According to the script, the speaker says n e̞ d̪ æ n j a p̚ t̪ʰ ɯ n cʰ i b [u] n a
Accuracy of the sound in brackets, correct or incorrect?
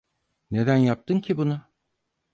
correct